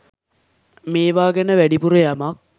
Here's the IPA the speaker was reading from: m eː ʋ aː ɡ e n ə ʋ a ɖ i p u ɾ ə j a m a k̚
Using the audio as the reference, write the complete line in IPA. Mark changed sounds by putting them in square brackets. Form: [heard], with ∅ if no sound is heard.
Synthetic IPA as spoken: m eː ʋ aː ɡ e n ə ʋ [æ] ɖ i p u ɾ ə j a m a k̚